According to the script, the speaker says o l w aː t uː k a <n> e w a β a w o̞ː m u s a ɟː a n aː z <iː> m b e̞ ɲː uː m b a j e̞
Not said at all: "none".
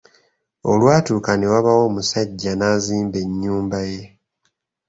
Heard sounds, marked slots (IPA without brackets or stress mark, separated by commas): n, iː